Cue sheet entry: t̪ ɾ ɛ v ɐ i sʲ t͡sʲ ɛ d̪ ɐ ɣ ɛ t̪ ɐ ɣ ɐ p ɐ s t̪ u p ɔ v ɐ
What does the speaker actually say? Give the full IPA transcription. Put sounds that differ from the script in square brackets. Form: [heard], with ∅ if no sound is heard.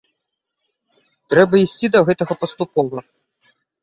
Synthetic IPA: t̪ ɾ ɛ [b] ɐ i sʲ t͡sʲ [i] d̪ ɐ ɣ ɛ t̪ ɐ ɣ ɐ p ɐ s t̪ u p ɔ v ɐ